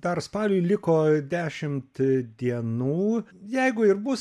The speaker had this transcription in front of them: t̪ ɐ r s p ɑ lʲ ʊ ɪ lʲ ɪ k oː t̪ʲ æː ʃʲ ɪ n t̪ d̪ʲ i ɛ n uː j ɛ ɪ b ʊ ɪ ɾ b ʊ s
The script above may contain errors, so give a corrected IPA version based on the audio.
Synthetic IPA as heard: d̪ ɐ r s p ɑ lʲ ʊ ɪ lʲ ɪ k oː d̪ʲ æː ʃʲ ɪ m t̪ d̪ʲ i ɛ n uː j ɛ ɪ ɡ ʊ ɪ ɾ b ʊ s